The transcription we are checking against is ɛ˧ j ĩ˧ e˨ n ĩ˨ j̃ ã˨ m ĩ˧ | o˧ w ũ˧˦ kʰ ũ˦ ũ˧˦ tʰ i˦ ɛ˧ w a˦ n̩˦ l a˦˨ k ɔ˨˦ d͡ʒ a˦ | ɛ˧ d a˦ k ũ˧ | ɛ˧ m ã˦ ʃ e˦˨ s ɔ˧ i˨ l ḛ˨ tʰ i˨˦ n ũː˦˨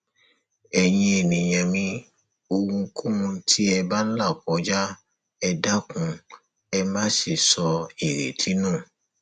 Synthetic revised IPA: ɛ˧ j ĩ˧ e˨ n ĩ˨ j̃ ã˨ m ĩ˧ | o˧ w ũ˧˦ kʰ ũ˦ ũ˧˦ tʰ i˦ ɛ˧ b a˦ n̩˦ l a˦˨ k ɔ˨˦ d͡ʒ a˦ | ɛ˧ d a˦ k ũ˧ | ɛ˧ m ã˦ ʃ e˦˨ s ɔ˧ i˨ ɾ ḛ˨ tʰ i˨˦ n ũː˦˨